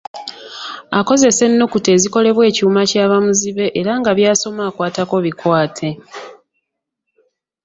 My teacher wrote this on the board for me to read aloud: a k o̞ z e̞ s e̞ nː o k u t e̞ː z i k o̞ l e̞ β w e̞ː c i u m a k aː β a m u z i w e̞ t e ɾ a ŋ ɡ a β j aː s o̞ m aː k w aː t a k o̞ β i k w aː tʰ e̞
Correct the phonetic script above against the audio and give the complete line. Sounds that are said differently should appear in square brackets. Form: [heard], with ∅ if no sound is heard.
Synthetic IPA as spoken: a k o̞ z e̞ s e̞ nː o k u t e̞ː z i k o̞ l e̞ β w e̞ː c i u m a [c] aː β a m u z i [β] e̞ [ʔ] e ɾ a ŋ ɡ a β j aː s o̞ m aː k w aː t a k o̞ β i k w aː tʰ e̞